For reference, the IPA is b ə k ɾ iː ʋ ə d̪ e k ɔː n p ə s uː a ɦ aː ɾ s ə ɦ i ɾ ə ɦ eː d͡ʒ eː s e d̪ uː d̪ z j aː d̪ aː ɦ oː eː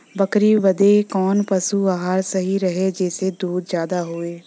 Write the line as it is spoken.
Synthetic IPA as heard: b ə k ɾ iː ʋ ə d̪ e k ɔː n p ə s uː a ɦ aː ɾ s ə ɦ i ɾ ə ɦ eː d͡ʒ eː s e d̪ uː d̪ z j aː d̪ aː ɦ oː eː

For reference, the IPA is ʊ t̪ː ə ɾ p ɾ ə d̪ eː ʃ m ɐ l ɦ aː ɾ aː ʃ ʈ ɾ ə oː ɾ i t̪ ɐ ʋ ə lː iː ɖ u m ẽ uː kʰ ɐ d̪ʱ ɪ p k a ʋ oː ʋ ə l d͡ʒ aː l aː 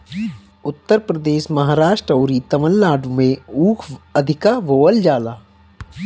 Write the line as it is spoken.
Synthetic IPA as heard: ʊ t̪ː ə ɾ p ɾ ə d̪ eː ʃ m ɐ ɦ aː ɾ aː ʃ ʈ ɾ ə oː ɾ i t̪ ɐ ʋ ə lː aː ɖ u m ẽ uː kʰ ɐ d̪ʱ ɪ k a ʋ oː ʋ ə l d͡ʒ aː l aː

